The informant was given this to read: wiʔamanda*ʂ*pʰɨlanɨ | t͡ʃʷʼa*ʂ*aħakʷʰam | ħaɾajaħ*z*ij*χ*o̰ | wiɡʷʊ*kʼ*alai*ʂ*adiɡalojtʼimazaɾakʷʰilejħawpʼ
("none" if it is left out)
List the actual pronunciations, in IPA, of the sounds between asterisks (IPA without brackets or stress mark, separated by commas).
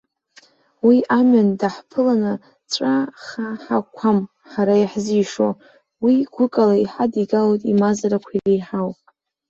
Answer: ħ, χ, z, ʂ, kʼ, ħ